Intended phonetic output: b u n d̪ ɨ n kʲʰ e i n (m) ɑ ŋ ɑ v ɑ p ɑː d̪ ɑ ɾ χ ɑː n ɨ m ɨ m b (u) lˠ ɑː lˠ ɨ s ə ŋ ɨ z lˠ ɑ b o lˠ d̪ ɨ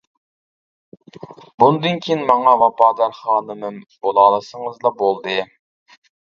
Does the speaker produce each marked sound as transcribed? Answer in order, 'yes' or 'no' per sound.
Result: yes, no

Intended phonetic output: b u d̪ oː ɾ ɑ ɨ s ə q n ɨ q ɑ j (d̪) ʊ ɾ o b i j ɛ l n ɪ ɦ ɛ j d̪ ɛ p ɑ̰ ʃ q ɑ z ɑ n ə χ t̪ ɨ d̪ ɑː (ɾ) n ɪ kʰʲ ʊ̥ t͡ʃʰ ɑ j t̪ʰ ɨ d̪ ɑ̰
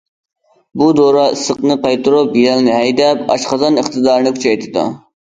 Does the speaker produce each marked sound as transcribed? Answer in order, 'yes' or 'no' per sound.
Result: no, yes

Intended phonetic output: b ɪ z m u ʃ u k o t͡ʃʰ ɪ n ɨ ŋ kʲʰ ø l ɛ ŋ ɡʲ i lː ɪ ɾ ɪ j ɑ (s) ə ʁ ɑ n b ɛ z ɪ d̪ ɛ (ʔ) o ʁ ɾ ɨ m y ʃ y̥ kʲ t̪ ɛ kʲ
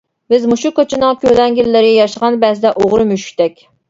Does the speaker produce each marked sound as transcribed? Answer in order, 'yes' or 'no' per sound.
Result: no, yes

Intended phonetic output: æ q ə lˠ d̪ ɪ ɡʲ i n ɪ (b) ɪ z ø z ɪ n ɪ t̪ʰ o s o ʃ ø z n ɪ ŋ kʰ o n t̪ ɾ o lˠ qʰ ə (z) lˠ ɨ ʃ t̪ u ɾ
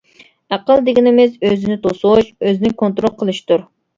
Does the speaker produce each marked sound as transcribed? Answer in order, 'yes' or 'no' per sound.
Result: no, no

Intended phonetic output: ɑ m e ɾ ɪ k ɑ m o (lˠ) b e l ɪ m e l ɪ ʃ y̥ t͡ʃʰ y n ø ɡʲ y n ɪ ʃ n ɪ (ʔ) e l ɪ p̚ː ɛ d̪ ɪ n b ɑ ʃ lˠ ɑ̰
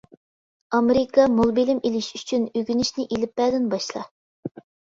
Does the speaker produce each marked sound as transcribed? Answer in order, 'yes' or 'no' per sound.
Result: yes, yes

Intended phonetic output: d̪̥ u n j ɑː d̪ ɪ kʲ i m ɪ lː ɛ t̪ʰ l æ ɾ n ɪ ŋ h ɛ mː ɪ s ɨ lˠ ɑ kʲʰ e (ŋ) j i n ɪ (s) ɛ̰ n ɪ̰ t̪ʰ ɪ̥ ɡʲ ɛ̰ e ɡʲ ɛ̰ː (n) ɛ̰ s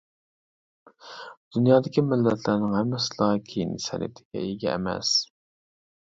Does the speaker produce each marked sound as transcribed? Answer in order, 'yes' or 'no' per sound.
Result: no, yes, no

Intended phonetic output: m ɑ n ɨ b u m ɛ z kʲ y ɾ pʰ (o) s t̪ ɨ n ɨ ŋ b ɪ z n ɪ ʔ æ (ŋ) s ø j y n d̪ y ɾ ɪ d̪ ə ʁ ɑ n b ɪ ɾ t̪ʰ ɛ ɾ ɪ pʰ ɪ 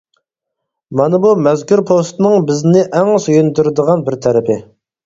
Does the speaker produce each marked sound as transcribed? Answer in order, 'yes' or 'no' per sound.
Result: yes, yes

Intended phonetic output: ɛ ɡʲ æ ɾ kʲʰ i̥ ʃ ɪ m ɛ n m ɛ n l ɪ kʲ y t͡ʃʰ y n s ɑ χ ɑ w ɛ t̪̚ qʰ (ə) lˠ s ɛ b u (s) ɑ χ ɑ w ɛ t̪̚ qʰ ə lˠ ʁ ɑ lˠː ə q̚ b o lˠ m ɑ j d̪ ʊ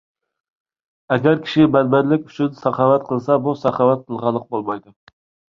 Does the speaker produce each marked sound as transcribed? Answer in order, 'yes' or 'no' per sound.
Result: yes, yes

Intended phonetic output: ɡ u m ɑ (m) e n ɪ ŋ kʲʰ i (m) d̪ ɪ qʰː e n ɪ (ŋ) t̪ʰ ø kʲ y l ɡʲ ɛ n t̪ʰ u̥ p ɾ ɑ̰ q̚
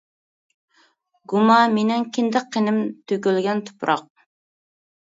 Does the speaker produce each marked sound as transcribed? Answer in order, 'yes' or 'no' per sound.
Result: yes, no, no

